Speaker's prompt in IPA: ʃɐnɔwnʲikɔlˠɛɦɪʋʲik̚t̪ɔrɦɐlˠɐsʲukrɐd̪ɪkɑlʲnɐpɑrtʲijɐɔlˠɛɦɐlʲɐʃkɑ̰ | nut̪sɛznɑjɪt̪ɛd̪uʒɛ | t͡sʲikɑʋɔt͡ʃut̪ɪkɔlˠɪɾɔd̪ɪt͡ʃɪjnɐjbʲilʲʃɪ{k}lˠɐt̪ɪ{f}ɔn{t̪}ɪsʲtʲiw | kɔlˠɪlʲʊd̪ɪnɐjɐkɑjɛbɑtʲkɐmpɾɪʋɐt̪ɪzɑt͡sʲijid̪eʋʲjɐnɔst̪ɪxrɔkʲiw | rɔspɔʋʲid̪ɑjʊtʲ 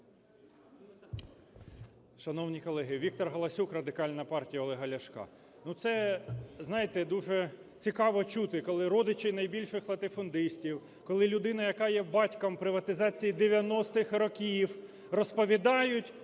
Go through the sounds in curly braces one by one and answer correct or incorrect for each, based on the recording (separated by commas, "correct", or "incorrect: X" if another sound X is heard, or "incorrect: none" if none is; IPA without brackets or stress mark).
incorrect: x, correct, incorrect: d̪